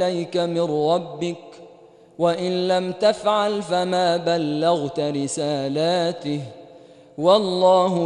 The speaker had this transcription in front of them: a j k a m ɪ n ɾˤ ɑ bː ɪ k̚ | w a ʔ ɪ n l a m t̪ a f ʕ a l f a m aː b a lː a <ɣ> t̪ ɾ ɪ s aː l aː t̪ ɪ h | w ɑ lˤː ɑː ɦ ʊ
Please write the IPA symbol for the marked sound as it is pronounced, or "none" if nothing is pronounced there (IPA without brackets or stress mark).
ɣ